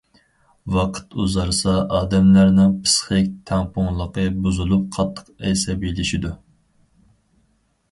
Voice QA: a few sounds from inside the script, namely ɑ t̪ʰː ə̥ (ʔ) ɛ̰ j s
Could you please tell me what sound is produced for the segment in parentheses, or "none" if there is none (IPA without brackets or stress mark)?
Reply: q